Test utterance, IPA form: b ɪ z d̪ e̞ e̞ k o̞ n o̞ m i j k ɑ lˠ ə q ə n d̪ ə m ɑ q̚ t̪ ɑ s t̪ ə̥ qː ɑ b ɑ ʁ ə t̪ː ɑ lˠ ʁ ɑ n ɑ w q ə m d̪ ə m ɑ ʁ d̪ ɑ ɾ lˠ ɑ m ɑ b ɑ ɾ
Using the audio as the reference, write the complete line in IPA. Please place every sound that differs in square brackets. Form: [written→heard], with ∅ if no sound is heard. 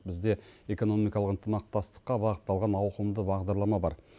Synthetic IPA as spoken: b ɪ z d̪ e̞ e̞ k o̞ n o̞ m i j k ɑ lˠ ə q ə n [d̪→t̪] ə m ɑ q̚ t̪ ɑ s t̪ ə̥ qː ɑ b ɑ ʁ ə t̪ː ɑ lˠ ʁ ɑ n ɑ w q ə m d̪ ə [m→b] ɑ ʁ d̪ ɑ ɾ lˠ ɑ m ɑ b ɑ ɾ

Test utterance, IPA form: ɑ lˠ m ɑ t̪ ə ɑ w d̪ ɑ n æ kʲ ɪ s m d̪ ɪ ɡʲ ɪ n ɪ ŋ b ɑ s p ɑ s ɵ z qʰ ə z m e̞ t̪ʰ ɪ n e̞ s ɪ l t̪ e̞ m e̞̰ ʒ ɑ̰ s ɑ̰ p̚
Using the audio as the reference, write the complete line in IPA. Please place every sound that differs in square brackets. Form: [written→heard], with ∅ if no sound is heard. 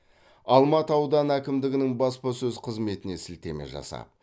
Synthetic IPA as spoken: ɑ lˠ m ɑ t̪ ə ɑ w d̪ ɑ n æ kʲ ɪ [s→∅] m d̪ ɪ ɡʲ ɪ n ɪ ŋ b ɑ s p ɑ s ɵ z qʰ ə z m e̞ [t̪ʰ→t̪] ɪ n e̞ s ɪ l t̪ e̞ m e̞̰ ʒ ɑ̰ s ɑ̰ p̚

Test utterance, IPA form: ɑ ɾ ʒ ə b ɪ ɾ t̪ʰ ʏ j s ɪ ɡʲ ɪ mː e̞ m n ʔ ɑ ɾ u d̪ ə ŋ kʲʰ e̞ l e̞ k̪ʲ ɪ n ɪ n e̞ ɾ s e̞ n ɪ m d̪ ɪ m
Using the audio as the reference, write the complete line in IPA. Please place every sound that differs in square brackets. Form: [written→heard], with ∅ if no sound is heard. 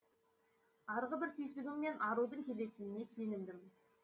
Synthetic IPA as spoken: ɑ ɾ [ʒ→ʁ] ə b ɪ ɾ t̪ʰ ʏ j s ɪ ɡʲ ɪ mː e̞ [m→∅] n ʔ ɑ ɾ u d̪ ə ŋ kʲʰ e̞ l e̞ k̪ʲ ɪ n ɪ n e̞ [ɾ→∅] s e̞ n ɪ m d̪ ɪ m

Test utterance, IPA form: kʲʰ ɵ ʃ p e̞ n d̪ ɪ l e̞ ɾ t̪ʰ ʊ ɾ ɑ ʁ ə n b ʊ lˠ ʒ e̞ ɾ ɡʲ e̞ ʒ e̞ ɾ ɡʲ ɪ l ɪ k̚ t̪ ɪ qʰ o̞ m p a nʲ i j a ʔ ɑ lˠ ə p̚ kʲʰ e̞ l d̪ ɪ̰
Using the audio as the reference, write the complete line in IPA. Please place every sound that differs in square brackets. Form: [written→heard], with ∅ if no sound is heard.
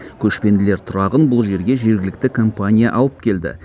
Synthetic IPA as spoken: kʲʰ ɵ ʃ p e̞ n d̪ ɪ l e̞ ɾ t̪ʰ ʊ ɾ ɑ ʁ ə n b ʊ lˠ ʒ e̞ ɾ ɡʲ e̞ ʒ e̞ ɾ ɡʲ ɪ l ɪ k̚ t̪ ɪ [qʰ→kʰ] o̞ m p a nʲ i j a ʔ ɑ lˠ ə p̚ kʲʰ e̞ l d̪ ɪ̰

